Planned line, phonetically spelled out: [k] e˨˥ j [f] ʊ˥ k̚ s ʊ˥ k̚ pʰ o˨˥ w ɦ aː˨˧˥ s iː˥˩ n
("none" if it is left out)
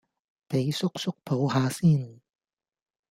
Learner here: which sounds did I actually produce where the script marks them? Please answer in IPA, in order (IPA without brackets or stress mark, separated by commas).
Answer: p, s